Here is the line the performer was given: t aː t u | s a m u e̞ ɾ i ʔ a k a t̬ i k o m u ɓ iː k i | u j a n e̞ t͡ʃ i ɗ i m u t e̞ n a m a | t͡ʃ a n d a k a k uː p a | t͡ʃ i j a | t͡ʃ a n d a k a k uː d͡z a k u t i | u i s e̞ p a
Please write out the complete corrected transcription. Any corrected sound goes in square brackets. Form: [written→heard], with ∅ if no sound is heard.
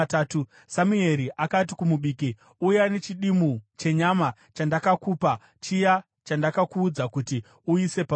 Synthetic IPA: t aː t u | s a m u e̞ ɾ i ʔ a k a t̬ i k [o→u] m u ɓ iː k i | u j a n e̞ t͡ʃ i ɗ i m u [t→t͡ʃ] e̞ [n→ɲ] a m a | t͡ʃ a n d a k a k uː p a | t͡ʃ i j a | t͡ʃ a n d a k a k uː d͡z a k u t i | u i s e̞ p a